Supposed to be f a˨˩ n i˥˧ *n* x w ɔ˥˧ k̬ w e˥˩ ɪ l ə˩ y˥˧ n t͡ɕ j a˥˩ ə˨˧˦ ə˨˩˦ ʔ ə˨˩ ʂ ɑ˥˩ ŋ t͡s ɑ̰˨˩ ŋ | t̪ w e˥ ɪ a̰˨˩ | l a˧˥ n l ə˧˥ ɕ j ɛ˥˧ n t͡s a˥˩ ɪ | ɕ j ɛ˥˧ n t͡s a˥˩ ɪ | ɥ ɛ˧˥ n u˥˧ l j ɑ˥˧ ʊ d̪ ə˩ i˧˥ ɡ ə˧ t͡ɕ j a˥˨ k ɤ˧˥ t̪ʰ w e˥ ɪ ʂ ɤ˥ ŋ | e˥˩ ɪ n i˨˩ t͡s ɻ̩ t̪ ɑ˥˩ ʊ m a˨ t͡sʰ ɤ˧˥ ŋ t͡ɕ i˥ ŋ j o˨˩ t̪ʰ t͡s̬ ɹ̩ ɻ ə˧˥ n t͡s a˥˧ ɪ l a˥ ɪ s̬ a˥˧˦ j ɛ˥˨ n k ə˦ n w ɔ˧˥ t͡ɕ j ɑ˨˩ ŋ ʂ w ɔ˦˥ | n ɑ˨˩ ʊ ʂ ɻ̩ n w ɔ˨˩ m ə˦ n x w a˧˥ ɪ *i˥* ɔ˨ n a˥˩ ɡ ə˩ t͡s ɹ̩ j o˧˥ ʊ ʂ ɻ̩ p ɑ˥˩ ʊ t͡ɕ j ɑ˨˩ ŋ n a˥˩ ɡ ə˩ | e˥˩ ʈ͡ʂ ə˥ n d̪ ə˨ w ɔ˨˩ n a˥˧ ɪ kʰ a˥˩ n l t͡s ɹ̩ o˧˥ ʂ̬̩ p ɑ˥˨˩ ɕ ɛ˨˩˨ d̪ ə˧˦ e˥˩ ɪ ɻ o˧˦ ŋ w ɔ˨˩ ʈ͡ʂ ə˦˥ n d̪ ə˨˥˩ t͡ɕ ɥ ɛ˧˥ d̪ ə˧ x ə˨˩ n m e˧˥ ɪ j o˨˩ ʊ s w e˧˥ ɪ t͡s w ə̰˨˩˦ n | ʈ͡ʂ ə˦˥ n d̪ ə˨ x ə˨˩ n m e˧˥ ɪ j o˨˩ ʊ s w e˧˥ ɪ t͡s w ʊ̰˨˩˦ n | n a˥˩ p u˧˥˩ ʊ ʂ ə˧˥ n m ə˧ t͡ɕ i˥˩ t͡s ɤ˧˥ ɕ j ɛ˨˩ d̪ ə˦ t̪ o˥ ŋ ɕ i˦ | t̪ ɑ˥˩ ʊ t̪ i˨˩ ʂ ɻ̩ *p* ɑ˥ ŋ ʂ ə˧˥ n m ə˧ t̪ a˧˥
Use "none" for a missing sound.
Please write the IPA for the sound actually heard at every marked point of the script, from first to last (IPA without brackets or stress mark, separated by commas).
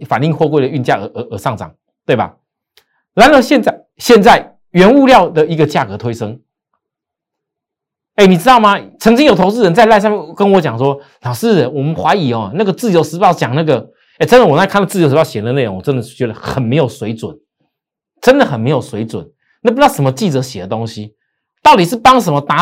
ŋ, i˨˩, p